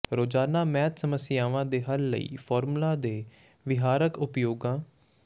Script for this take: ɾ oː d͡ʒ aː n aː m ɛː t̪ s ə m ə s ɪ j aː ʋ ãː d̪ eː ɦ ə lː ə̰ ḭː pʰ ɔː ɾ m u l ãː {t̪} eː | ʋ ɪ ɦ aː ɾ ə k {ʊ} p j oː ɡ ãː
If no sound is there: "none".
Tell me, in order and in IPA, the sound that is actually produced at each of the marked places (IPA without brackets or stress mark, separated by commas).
d̪, ʊ